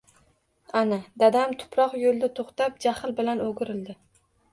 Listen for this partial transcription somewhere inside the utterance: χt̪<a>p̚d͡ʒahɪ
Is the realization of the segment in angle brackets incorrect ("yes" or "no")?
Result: no